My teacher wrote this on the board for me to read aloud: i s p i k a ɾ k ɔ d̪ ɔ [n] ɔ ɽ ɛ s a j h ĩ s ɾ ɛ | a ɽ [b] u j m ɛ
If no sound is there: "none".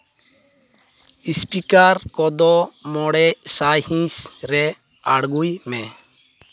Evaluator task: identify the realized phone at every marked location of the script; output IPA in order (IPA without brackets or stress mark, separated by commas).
m, ɡ